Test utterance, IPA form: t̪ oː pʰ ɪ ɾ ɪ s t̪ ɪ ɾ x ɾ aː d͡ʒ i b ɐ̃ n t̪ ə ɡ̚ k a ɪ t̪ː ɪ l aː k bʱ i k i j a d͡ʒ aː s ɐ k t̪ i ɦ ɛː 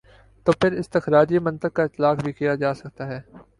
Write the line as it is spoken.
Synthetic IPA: t̪ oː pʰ ɪ ɾ ɪ s t̪ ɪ x ɾ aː d͡ʒ i m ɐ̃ n t̪ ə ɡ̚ k a ɪ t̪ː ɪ l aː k bʱ i k i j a d͡ʒ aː s ɐ k t̪ a ɦ ɛː